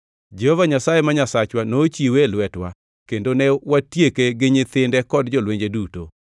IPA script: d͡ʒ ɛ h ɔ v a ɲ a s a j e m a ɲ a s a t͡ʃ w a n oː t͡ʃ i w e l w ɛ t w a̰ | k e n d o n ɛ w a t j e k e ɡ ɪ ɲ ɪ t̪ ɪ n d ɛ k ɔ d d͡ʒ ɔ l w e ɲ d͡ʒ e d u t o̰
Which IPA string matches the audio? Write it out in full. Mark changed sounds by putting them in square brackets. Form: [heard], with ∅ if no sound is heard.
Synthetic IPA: d͡ʒ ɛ h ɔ v a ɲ a s a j e m a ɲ a s a t͡ʃ w a n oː t͡ʃ i w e l w ɛ t w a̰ | k e n d o n ɛ w a t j e k e ɡ ɪ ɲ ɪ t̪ ɪ n d ɛ k ɔ d d͡ʒ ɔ l w e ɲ d͡ʒ e d u t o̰